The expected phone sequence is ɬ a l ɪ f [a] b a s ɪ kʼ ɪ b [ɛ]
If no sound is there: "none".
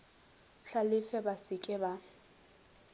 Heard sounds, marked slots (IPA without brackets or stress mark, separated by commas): ɛ, a